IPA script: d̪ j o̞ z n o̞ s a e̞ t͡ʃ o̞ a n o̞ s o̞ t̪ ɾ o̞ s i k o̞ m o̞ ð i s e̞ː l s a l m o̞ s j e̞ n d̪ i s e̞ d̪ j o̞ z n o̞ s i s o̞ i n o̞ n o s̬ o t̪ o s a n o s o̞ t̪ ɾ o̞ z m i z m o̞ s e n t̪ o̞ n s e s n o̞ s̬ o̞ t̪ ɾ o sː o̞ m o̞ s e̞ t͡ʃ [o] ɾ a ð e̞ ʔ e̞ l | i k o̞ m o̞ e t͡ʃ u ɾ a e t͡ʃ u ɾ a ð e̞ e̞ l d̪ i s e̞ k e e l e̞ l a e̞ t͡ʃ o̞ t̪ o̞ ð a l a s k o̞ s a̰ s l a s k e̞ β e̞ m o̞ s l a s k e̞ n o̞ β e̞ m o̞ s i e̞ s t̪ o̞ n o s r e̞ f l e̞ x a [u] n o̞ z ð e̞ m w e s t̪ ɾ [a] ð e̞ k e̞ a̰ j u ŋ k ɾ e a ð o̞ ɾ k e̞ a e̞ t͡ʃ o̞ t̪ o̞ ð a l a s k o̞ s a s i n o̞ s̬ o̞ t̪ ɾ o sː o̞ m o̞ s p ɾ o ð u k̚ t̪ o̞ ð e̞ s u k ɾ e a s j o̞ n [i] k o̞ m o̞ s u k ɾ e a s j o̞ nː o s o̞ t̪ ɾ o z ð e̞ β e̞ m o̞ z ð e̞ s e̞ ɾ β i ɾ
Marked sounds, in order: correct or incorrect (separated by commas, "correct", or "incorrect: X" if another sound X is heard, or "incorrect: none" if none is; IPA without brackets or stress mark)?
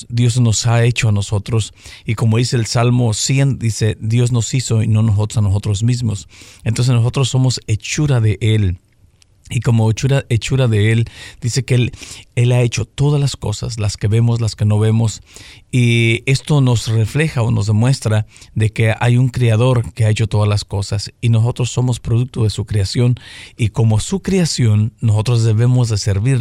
incorrect: u, incorrect: o, correct, correct